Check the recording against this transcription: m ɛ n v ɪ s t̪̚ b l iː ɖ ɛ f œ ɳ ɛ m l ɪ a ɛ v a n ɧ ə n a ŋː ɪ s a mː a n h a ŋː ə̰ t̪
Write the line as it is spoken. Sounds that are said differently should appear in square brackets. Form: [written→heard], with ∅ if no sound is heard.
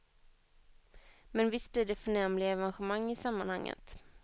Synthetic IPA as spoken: m ɛ n v ɪ s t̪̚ b l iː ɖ ɛ f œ ɳ ɛ m l ɪ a ɛ v a n ɧ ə [n→m] a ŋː ɪ s a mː a n h a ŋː ə̰ t̪